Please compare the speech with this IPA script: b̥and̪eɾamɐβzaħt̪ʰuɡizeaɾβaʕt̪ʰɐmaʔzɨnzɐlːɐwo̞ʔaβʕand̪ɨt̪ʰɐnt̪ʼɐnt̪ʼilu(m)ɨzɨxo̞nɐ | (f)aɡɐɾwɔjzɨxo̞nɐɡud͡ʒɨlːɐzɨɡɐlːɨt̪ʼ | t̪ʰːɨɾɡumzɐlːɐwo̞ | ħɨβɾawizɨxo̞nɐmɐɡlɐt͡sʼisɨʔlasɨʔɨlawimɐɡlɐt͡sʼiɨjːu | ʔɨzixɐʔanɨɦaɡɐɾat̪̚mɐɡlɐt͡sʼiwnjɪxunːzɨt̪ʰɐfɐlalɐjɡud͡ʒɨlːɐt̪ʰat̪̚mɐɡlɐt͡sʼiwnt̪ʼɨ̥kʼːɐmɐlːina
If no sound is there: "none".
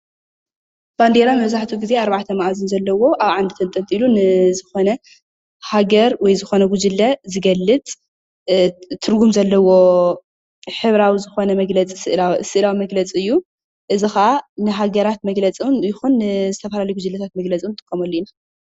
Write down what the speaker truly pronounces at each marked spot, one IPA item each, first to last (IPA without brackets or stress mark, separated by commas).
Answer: n, h